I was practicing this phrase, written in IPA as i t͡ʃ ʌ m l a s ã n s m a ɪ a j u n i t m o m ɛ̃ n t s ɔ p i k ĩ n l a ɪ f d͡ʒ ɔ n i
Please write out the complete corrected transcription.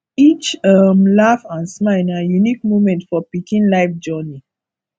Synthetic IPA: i t͡ʃ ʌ m l a f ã n s m a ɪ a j u n i k m o m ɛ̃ n t f ɔ p i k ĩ n l a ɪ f d͡ʒ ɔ n i